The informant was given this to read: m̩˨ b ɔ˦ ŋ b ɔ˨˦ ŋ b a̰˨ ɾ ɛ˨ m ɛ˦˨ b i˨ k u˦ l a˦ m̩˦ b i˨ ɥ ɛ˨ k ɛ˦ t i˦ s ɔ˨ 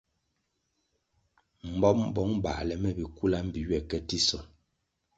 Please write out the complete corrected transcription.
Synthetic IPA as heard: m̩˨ b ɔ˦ m b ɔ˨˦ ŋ b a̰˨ l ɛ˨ m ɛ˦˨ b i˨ k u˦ l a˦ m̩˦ b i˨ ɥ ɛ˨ k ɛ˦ t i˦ s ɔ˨